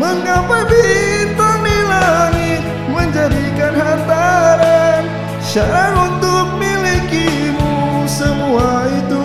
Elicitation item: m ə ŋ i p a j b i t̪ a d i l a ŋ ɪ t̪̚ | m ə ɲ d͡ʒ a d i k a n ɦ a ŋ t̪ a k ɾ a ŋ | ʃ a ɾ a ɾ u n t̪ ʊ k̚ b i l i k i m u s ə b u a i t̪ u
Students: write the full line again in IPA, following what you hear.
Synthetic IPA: m ə ŋ a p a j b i t̪ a n i l a ŋ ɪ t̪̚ | m ə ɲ d͡ʒ a d i k a n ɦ a n t̪ a ɾ a n | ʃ a ɾ a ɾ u n t̪ ʊ k̚ m i l i k i m u s ə m u a i t̪ u